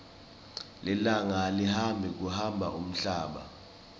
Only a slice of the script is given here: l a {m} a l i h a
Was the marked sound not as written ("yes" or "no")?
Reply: yes